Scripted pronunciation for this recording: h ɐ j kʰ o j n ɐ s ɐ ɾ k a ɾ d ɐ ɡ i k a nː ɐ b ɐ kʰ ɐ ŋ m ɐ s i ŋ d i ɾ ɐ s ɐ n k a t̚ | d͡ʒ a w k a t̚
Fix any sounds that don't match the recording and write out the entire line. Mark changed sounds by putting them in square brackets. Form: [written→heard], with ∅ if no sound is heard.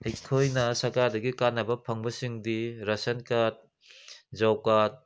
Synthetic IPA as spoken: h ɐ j kʰ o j n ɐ s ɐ ɾ k a ɾ d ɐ ɡ i k a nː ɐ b ɐ [kʰ→pʰ] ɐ ŋ [m→b] ɐ s i ŋ d i ɾ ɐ s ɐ n k a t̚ | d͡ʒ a w k a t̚